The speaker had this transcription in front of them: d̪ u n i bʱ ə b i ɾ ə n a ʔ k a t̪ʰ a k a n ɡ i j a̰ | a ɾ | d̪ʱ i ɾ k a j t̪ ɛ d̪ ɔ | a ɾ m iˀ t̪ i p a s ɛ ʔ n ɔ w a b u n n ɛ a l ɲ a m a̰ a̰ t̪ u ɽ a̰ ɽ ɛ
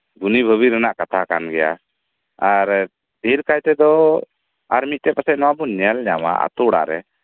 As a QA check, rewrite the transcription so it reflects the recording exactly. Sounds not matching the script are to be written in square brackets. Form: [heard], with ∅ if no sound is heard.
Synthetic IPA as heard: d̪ u n i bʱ ə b i ɾ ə n a ʔ k a t̪ʰ a k a n ɡ [ɛ] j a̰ | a ɾ | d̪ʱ i ɾ k a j t̪ ɛ d̪ ɔ | a ɾ m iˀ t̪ [ɛ] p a s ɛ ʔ n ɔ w a b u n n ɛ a l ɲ a m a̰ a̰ t̪ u ɽ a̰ [ɾ] ɛ